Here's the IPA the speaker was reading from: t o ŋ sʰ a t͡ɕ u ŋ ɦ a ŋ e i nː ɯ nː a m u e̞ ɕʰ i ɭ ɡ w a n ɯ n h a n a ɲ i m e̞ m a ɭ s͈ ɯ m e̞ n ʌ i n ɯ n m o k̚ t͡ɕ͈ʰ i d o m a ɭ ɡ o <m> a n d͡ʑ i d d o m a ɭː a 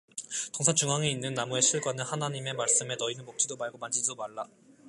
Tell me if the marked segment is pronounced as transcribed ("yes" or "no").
yes